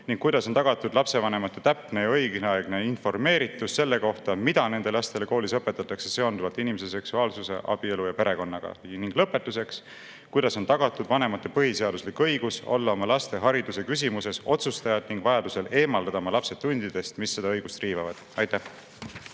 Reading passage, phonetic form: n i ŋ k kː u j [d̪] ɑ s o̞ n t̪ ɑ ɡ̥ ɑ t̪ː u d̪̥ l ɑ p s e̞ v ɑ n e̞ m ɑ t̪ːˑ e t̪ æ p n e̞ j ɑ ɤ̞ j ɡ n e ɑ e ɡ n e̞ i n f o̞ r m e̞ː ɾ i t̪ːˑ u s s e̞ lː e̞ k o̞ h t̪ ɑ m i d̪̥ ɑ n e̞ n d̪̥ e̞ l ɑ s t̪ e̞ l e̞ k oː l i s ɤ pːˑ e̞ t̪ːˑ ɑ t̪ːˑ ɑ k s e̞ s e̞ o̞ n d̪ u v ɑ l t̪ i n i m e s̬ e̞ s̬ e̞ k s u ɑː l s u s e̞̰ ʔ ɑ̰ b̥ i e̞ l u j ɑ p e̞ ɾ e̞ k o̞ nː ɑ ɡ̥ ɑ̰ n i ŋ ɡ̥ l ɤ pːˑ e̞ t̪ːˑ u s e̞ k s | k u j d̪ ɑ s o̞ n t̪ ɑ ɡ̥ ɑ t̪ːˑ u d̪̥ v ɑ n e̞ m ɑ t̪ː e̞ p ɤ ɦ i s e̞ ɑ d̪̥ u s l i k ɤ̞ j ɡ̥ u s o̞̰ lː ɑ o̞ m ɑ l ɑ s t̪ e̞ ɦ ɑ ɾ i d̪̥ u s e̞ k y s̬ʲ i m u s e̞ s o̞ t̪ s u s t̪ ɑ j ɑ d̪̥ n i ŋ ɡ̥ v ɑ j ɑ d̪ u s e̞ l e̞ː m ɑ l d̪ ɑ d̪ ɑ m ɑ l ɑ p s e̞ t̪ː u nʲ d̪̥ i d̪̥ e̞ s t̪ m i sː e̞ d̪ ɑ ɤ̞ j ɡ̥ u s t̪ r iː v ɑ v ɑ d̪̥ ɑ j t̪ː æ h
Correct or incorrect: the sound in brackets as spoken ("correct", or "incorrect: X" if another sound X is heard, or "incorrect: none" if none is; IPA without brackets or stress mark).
correct